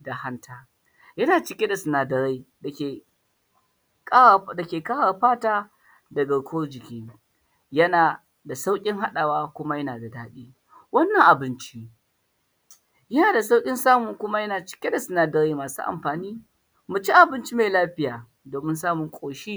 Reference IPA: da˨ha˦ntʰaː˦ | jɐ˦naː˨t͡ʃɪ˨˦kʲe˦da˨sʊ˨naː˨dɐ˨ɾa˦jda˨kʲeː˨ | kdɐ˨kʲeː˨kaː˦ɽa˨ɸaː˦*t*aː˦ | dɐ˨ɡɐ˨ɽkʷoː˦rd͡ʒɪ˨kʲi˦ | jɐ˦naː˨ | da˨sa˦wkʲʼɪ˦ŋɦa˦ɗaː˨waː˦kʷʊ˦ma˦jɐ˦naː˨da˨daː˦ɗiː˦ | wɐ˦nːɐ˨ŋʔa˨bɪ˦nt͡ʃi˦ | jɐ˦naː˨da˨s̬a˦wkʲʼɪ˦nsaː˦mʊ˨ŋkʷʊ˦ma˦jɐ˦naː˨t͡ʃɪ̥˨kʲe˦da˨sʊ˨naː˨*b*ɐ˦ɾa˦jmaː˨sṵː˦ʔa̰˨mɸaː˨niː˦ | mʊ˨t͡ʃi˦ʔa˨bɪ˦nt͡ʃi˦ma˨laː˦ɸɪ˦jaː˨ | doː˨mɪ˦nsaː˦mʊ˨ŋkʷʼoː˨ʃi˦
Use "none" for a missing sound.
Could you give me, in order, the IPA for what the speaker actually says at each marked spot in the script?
t, d

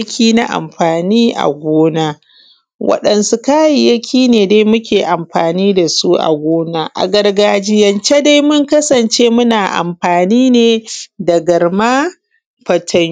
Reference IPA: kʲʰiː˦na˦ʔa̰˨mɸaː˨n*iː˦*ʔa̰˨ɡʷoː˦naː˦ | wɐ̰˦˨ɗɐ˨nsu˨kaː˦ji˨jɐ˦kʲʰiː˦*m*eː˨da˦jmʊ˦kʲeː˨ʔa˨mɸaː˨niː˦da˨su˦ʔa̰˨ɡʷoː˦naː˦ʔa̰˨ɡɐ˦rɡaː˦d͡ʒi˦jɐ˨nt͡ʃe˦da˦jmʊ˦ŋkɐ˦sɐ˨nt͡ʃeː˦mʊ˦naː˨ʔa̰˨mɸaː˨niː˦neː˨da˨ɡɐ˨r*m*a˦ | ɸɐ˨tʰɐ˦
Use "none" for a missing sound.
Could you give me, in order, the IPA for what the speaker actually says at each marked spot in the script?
iː˦, n, m

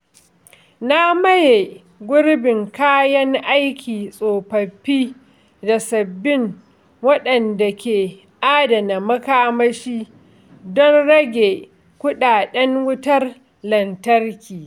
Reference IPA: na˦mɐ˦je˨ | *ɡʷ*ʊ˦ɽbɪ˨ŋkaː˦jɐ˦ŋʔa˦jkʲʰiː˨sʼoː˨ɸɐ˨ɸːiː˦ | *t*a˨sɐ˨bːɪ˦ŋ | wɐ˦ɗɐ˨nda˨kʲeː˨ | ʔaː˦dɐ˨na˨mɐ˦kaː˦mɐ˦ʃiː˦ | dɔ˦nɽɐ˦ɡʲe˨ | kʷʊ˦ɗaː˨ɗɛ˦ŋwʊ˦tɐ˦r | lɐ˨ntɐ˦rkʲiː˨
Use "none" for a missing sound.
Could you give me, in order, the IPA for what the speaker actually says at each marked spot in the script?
ɡʷ, d

